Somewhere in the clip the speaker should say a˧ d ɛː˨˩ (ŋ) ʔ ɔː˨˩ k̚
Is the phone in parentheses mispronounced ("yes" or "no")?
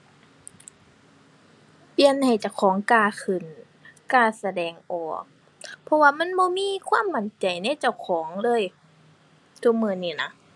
no